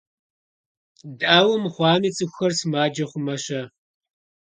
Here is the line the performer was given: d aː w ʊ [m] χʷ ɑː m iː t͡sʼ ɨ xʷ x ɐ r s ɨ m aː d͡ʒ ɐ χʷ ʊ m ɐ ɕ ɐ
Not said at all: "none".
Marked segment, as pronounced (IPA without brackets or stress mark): m